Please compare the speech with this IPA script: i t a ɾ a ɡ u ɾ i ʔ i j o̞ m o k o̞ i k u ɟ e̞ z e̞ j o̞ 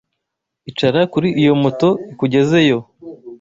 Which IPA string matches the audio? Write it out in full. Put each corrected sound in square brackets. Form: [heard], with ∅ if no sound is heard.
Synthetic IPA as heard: i [t͡ʃ] a ɾ a [k] u ɾ i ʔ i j o̞ m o [t] o̞ i k u ɟ e̞ z e̞ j o̞